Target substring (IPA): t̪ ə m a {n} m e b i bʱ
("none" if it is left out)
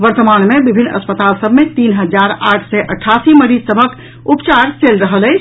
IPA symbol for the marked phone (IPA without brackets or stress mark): n